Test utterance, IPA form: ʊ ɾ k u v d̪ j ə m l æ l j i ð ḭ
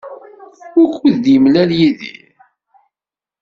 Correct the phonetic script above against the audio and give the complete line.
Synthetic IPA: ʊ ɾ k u ð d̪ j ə m l æ l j i ð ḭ